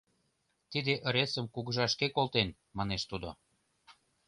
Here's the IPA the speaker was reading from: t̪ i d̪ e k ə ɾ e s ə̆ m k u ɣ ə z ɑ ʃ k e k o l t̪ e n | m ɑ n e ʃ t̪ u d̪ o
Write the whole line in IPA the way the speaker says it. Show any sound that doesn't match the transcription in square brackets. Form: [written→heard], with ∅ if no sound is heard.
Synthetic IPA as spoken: t̪ i d̪ e [k→ʔ] ə ɾ e s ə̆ m k u ɣ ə [z→ʒ] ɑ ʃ k e k o l t̪ e n | m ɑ n e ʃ t̪ u d̪ o